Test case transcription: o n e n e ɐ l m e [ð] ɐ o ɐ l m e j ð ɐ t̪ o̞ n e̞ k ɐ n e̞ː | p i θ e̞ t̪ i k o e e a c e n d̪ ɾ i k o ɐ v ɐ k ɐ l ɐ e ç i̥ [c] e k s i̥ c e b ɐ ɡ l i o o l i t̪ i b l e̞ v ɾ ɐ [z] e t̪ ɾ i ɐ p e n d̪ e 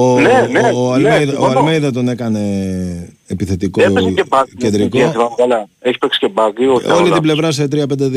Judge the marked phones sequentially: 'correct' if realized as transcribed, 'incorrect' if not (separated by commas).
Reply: correct, incorrect, incorrect